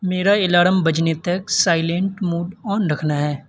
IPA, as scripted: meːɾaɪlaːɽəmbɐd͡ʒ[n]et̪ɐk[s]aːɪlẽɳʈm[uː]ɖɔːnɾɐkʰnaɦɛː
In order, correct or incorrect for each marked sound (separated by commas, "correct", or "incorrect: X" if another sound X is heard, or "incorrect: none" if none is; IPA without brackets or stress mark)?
correct, correct, correct